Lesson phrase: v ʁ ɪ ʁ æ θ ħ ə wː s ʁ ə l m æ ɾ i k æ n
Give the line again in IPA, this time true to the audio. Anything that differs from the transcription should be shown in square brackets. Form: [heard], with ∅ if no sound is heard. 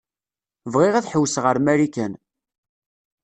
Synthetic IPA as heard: v ʁ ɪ ʁ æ θ ħ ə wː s ʁ ə [ɾ] m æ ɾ i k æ n